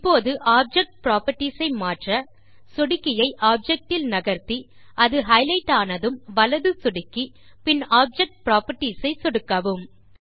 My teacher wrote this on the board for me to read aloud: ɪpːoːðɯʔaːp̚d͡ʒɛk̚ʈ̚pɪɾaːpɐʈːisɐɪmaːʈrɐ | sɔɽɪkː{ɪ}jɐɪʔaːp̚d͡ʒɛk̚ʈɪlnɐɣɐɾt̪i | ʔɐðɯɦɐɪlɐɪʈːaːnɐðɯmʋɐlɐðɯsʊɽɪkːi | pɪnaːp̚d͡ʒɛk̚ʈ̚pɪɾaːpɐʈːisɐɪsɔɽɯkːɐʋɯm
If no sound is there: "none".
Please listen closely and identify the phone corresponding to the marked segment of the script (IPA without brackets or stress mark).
ɪ